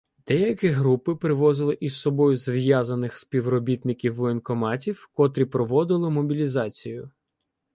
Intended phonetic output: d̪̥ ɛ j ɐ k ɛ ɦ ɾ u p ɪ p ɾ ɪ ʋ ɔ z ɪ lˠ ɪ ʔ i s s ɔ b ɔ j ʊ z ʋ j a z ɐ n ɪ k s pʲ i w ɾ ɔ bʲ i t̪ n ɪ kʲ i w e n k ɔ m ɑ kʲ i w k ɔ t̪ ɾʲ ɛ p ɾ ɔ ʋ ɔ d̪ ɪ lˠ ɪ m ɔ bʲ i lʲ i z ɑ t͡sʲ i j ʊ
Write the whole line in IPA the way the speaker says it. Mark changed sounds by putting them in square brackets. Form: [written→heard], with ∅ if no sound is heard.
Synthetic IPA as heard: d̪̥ ɛ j ɐ k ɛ ɦ ɾ u p ɪ p ɾ ɪ ʋ ɔ z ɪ lˠ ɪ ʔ i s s ɔ b ɔ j ʊ z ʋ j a z ɐ n ɪ [k→x] s pʲ i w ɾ ɔ bʲ i t̪ n ɪ kʲ i w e n k ɔ m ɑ [kʲ→tʲ] i w k ɔ t̪ ɾʲ [ɛ→i] p ɾ ɔ ʋ ɔ d̪ ɪ lˠ ɪ m ɔ bʲ i lʲ i z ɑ t͡sʲ i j ʊ